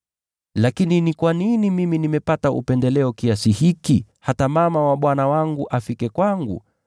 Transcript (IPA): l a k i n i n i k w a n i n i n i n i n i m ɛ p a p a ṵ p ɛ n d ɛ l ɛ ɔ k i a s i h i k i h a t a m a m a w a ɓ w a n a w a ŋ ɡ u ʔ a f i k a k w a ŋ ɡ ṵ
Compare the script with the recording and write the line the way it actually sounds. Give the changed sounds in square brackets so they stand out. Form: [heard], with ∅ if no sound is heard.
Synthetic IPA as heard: l a k i n i n i k w a n i n i [m] i [m] i n i m ɛ p a [t] a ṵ p ɛ n d ɛ l ɛ ɔ k i a s i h i k i h a t a m a m a w a ɓ w a n a w a ŋ ɡ u ʔ a f i k [ɛ] k w a ŋ ɡ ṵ